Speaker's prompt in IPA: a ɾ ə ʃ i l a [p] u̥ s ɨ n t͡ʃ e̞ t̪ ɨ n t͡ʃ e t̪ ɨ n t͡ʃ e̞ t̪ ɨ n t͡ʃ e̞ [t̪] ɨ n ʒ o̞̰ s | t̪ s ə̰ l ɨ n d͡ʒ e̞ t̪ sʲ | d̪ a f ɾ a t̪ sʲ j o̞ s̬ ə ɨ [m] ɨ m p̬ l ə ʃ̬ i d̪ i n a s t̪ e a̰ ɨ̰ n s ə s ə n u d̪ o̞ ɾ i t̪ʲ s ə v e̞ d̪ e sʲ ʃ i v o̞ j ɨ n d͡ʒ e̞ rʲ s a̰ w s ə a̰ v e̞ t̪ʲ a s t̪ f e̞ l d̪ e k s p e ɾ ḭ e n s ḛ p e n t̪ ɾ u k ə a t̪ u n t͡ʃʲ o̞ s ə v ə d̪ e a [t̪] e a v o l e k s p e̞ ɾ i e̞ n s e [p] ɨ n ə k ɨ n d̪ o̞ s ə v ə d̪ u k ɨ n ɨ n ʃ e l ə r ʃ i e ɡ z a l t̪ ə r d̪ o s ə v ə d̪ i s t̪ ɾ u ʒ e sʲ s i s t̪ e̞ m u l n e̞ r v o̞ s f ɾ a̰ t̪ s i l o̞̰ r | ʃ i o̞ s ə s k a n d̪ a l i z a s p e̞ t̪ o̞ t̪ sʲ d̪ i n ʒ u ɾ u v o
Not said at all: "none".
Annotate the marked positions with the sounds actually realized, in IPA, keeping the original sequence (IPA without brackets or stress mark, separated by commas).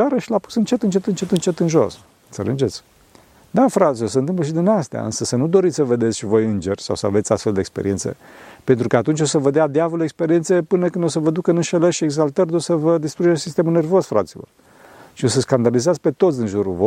p, t̪, n, d̪, p